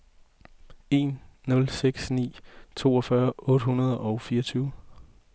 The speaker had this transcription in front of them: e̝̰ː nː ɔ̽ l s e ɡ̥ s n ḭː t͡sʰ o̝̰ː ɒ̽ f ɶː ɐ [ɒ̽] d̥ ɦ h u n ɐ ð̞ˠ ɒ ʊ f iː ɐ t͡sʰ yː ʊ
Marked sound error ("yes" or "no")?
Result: yes